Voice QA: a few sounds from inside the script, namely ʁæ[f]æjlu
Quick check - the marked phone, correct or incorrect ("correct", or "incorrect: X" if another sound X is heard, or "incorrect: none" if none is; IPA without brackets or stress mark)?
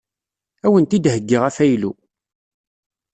correct